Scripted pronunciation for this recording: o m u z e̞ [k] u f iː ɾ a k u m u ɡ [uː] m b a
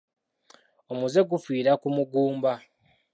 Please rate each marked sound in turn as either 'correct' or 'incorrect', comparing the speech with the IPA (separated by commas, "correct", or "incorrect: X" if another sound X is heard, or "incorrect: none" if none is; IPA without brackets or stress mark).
incorrect: ɡ, correct